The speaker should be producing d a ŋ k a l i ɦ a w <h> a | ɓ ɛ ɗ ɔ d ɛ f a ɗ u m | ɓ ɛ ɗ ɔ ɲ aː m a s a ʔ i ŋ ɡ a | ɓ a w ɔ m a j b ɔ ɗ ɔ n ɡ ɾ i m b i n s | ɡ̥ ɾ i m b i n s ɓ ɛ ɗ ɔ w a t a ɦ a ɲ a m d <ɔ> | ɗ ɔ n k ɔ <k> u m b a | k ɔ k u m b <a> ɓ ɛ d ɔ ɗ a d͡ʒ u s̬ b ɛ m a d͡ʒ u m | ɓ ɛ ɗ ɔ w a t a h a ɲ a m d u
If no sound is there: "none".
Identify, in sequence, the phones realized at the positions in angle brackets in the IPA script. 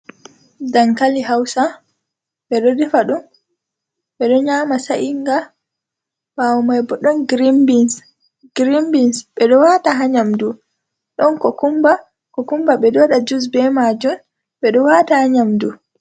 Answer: s, u, k, a

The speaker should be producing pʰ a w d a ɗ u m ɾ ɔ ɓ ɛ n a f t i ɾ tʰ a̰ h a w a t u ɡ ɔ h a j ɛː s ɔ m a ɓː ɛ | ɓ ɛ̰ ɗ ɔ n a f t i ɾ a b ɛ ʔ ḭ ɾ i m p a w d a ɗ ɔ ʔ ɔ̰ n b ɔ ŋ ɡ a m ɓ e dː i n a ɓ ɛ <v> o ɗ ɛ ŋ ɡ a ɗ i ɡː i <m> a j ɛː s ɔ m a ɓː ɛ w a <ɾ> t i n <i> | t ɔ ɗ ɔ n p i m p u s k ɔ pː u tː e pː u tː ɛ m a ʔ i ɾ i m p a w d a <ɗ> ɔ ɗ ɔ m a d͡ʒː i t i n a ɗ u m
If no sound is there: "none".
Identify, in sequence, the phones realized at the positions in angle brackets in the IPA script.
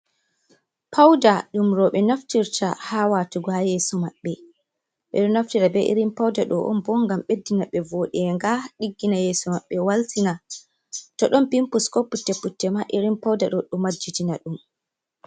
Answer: v, n, l, a, ɗ

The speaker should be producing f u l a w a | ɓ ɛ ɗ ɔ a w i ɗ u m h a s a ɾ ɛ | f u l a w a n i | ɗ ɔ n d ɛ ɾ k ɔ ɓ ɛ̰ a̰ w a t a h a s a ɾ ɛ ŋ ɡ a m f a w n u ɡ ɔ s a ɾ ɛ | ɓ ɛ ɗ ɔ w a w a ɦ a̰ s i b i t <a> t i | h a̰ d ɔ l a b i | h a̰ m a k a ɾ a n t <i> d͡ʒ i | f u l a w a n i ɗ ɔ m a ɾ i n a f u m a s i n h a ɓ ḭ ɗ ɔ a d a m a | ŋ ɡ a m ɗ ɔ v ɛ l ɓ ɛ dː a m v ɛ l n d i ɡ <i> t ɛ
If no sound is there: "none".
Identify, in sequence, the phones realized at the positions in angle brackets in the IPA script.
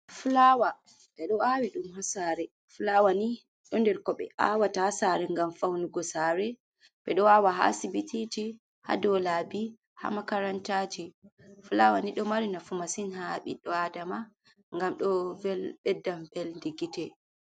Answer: i, a, i

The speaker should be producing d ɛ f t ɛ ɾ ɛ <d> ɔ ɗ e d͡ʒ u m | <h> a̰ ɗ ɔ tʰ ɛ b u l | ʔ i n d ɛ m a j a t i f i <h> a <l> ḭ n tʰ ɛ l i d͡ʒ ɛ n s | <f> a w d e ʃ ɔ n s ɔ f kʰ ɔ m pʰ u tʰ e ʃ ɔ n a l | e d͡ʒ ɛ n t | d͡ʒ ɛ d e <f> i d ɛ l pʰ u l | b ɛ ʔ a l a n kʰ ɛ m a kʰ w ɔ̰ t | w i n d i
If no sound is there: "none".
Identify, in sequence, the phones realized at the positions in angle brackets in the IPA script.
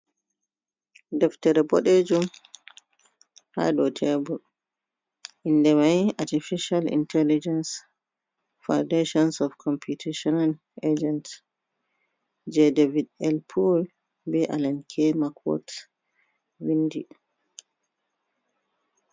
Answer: b, h, ʃ, l, f, v

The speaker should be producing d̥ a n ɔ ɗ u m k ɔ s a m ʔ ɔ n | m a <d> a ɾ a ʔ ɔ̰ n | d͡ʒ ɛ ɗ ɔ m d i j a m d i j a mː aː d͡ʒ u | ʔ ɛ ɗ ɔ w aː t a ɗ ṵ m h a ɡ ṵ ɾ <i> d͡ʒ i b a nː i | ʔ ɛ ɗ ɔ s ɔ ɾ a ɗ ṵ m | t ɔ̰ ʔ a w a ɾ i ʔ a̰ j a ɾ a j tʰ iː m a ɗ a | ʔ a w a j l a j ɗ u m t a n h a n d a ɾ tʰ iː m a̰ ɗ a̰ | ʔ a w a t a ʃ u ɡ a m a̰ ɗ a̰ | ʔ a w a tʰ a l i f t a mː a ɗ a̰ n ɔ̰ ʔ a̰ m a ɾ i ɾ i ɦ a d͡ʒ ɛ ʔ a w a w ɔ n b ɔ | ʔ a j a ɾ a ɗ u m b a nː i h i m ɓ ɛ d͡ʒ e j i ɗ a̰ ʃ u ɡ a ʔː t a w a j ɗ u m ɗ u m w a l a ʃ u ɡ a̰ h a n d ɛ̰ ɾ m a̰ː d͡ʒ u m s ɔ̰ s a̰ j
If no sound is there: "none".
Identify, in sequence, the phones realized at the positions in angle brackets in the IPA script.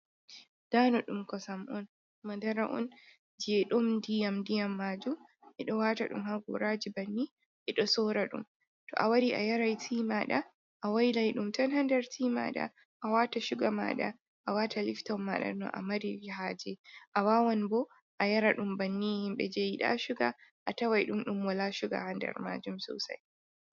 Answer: d, a

